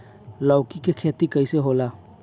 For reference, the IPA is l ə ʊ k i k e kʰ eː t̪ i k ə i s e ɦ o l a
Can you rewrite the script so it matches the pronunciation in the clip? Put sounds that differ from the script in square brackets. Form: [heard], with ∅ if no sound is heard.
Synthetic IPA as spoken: l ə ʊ k i k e kʰ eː t̪ i k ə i s e ɦ o l a

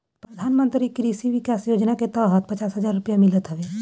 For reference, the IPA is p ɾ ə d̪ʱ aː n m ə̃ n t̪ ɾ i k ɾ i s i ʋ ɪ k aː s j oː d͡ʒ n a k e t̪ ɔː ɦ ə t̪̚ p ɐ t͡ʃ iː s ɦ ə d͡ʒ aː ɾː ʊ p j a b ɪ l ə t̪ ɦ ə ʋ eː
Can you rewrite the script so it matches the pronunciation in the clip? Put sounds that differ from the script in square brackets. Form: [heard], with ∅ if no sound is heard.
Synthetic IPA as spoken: p ɾ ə d̪ʱ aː n m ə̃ n t̪ ɾ i k ɾ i s i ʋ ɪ k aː s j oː d͡ʒ n a k e t̪ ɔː ɦ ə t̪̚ p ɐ t͡ʃ [aː] s ɦ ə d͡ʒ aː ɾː ʊ p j a [m] ɪ l ə t̪ ɦ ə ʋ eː

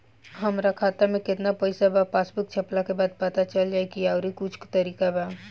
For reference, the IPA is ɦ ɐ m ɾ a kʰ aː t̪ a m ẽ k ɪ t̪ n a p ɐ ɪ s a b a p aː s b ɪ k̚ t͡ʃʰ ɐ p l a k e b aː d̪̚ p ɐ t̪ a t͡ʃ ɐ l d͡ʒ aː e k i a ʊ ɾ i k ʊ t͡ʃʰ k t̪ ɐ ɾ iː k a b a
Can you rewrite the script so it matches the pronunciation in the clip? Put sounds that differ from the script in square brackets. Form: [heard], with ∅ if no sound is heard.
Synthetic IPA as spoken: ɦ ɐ m ɾ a kʰ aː t̪ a m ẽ k ɪ t̪ n a p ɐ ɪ s a b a p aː s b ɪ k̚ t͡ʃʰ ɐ p l a k e b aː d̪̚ p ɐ t̪ a t͡ʃ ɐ l d͡ʒ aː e k i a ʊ ɾ i k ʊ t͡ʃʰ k t̪ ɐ ɾ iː k a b a

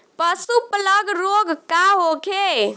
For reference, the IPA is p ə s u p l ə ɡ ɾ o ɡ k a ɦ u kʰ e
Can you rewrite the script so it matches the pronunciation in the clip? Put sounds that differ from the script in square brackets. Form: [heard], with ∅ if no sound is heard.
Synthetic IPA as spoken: p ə s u p l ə ɡ ɾ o ɡ k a ɦ [o] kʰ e

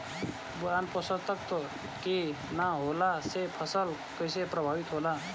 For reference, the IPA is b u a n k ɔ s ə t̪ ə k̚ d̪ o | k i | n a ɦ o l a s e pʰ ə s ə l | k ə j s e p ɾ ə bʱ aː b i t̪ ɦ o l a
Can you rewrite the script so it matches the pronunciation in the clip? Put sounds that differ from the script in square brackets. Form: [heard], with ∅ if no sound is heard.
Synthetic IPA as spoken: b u a n [p] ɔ s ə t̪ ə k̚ [t̪] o | k i | n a ɦ o l a s e pʰ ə s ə l | k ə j s e p ɾ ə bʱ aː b i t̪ ɦ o l a

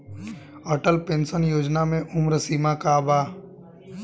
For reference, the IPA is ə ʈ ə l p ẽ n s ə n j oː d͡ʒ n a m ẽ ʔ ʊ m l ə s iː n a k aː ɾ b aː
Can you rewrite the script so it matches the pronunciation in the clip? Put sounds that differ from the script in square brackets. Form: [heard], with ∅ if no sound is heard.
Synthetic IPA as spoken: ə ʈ ə l p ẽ n s ə n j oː d͡ʒ n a m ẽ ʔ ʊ m [ɾ] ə s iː [m] a k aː [∅] b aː

